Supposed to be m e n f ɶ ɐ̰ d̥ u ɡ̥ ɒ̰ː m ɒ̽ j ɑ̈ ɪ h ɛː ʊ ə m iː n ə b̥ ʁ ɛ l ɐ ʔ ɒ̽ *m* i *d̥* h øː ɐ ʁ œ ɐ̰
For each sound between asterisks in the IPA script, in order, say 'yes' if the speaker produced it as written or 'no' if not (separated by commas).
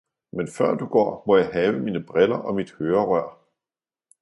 yes, yes